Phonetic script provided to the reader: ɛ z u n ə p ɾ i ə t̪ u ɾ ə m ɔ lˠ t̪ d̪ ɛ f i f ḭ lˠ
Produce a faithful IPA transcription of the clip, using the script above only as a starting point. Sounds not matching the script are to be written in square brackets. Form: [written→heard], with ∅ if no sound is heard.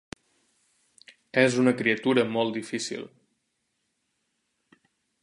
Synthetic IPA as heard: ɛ z u n ə [p→k] ɾ i ə t̪ u ɾ ə m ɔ lˠ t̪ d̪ [ɛ→i] f i [f→s] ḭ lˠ